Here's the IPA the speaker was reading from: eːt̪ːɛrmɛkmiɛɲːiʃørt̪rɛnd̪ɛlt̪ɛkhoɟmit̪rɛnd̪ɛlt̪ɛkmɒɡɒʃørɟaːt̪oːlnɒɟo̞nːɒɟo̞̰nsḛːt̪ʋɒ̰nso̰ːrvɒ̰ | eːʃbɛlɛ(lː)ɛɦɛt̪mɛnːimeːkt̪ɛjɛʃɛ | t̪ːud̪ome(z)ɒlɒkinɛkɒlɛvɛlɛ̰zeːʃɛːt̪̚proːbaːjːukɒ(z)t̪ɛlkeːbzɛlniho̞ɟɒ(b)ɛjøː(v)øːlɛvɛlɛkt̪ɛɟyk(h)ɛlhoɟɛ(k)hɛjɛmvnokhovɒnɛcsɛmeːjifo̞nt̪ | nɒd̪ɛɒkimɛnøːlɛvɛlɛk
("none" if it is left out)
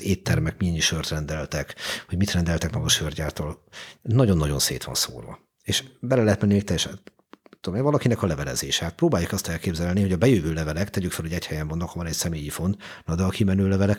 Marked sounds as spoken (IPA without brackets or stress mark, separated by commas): l, v, s, b, v, f, c